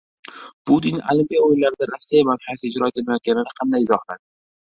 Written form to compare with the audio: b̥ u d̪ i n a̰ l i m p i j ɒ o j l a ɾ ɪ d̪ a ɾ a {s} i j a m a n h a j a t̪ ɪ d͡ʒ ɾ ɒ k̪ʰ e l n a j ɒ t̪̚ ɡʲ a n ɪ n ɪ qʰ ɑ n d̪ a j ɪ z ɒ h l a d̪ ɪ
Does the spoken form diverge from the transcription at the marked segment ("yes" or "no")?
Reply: yes